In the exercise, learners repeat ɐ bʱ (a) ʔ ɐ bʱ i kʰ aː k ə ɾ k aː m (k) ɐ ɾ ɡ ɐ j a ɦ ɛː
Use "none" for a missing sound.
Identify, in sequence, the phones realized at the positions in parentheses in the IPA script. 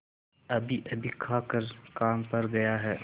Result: i, p

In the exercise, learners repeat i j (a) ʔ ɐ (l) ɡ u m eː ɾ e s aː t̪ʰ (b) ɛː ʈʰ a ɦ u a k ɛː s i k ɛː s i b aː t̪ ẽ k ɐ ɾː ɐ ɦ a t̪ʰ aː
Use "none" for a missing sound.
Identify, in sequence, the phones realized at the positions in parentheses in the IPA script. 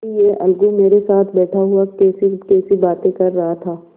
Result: e, l, b

